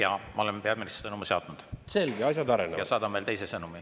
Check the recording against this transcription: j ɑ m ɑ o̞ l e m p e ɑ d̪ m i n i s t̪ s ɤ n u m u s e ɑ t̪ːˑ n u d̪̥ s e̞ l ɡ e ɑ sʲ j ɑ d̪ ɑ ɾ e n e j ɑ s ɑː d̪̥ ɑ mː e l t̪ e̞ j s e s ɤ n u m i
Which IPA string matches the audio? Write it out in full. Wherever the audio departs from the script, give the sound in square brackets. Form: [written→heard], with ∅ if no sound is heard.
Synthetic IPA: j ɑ m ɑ o̞ l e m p e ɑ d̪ m i n i s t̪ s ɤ n u m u s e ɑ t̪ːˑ n u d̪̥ s e̞ l ɡ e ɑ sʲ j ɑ d̪ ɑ ɾ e n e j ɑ s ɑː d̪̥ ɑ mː e l t̪ e̞ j s e s ɤ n u m i